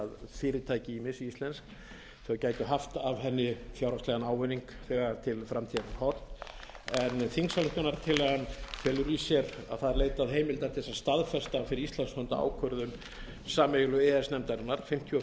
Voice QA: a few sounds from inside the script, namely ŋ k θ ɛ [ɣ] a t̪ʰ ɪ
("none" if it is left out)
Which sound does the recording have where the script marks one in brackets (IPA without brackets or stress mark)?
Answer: ɣ